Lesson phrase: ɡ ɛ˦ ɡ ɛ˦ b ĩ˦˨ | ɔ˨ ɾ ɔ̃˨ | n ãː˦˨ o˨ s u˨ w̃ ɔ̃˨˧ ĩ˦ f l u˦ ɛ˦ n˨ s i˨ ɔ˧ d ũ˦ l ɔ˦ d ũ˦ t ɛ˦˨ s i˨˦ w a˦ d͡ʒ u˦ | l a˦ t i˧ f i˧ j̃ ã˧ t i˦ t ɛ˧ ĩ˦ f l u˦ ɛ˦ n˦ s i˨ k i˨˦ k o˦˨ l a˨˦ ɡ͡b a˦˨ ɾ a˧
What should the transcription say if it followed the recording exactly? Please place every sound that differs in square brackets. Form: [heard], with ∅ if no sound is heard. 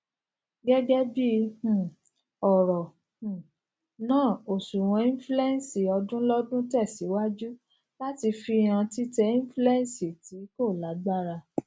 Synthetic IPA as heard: ɡ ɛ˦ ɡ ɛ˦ b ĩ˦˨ | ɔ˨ ɾ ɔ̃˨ | n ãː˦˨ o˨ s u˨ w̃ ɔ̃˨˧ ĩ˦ f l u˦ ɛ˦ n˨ s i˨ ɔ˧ d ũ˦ l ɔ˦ d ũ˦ t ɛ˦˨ s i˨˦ w a˦ d͡ʒ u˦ | l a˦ t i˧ f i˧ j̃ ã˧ t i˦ t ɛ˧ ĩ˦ f l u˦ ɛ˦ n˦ s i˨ [t] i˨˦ k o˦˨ l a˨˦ ɡ͡b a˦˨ ɾ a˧